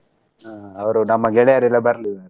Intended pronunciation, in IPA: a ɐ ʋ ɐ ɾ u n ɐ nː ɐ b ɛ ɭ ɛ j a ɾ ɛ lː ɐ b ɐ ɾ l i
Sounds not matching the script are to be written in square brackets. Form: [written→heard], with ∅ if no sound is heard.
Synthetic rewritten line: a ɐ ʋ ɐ ɾ u n ɐ [nː→mː] ɐ [b→ɡ] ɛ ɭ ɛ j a ɾ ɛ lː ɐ b ɐ ɾ l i